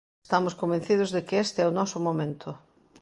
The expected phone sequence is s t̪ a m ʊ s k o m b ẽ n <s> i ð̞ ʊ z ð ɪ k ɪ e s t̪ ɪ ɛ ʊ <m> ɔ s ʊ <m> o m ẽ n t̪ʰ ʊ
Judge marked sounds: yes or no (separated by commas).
no, no, yes